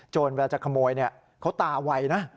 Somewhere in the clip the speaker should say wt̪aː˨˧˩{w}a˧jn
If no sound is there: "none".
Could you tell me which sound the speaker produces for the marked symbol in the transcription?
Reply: w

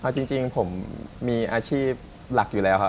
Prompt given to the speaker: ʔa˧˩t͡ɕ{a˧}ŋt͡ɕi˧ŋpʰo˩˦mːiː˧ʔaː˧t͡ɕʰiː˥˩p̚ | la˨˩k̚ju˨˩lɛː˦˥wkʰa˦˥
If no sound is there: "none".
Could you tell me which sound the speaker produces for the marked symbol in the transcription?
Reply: i˧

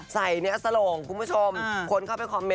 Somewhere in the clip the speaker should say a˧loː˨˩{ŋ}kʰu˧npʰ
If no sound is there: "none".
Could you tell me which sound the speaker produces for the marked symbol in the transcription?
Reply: ŋ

